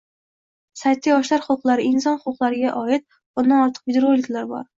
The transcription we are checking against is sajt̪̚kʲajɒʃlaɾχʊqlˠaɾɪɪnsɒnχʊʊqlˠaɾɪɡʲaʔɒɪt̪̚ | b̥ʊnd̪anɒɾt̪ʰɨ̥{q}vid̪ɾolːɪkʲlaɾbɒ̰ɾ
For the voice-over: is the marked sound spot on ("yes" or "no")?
yes